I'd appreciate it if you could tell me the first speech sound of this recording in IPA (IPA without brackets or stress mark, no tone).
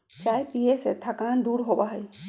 t͡ʃ